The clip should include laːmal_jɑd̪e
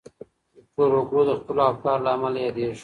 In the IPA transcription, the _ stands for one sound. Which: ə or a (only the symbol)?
a